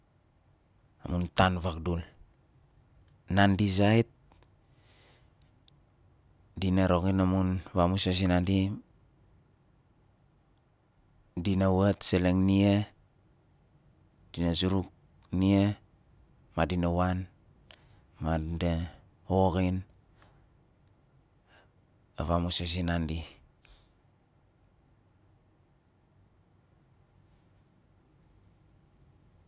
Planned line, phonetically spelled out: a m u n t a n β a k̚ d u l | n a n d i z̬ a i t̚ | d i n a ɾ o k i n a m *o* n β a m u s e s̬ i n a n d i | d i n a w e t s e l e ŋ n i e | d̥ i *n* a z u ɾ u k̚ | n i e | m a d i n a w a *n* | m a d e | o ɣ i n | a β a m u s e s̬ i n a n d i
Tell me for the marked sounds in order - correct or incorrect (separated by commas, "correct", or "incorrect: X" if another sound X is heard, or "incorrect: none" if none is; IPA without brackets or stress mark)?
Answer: incorrect: u, correct, correct